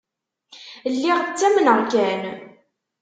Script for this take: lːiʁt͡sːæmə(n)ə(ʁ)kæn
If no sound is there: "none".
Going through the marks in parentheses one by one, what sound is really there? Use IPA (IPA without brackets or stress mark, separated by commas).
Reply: n, ʁ